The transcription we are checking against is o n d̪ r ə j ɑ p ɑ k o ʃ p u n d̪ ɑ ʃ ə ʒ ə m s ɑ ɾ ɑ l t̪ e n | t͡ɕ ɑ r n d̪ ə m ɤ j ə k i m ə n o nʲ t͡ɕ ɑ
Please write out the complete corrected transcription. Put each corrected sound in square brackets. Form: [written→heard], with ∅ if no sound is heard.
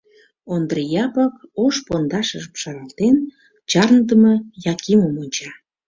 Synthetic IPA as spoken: o n d̪ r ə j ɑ p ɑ k o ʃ p [u→o] n d̪ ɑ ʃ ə ʒ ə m [s→ʃ] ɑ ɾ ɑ l t̪ e n | t͡ɕ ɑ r n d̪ ə m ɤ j [ə→ɑ] k i m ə [n→m] o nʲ t͡ɕ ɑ

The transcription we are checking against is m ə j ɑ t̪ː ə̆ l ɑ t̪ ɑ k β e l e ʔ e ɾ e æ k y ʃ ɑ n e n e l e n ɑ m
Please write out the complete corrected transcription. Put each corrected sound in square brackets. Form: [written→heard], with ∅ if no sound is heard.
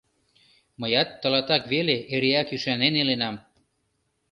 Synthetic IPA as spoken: m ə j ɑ t̪ː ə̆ l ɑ t̪ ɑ k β e l e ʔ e ɾ e æ k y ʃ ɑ n e n e l e n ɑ m

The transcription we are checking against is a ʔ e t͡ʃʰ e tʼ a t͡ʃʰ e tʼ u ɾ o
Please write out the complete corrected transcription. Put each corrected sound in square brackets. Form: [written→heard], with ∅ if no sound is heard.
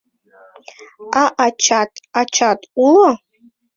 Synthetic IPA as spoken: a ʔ [e→a] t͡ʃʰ [e→a] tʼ a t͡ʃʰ [e→a] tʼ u [ɾ→l] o

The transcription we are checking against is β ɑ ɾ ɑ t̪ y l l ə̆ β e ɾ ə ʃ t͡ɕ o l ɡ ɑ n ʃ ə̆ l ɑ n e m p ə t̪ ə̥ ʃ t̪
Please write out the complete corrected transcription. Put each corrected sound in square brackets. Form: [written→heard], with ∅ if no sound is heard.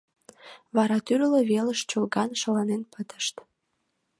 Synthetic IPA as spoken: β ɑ ɾ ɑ t̪ y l l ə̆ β e [ɾ→l] ə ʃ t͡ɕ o l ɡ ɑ n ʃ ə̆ l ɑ n e [m→n] p ə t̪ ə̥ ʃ t̪

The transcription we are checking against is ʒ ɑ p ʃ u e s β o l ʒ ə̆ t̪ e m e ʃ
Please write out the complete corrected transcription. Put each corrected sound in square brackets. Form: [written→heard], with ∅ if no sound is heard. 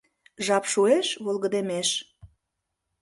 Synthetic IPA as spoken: ʒ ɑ p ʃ u e [s→ʃ] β o l [ʒ→ɣ] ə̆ [t̪→d̪] e m e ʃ

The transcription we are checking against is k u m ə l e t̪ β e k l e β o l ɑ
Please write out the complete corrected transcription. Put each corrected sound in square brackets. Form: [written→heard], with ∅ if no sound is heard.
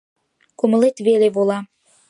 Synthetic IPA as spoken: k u m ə l e t̪ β e [k→∅] l e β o l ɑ

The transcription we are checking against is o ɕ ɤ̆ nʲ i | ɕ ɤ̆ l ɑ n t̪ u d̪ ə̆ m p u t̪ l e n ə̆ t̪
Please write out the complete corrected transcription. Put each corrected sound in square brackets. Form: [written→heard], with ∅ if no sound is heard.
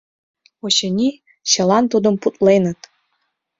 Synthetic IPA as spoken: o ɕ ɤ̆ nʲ i | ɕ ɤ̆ l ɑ n t̪ u d̪ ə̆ m p u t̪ l e n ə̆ t̪

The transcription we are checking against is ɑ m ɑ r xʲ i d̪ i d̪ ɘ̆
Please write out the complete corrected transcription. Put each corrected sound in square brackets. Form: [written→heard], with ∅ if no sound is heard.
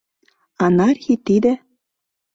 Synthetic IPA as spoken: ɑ [m→n] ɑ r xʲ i [d̪→t̪] i d̪ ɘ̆

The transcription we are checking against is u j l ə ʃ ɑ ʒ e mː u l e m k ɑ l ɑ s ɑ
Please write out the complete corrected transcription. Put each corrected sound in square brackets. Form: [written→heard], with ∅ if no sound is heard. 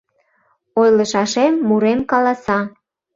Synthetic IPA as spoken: [u→o] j l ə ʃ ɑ [ʒ→ʃ] e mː u [l→ɾ] e m k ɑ l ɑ s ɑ

